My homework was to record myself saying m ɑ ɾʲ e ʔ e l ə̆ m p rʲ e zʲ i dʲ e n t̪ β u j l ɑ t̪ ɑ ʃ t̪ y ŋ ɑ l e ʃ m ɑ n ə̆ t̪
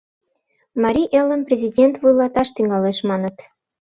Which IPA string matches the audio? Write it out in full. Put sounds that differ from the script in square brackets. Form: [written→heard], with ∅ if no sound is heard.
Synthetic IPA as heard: m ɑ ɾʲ [e→i] ʔ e l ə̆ m p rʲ e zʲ i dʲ e n t̪ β u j l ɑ t̪ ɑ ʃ t̪ y ŋ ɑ l e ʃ m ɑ n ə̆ t̪